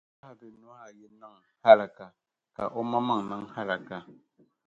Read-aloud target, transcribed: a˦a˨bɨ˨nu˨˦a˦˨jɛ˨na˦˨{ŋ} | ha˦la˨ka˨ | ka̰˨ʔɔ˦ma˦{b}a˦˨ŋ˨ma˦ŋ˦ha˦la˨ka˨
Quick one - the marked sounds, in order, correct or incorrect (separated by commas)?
correct, incorrect